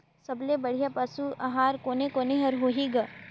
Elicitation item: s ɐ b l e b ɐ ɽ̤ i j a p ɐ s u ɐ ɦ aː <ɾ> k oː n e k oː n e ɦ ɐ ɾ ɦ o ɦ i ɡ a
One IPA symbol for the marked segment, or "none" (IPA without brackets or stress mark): ɾ